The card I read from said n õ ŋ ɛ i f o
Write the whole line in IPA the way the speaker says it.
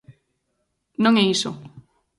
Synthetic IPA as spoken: n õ ŋ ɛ i s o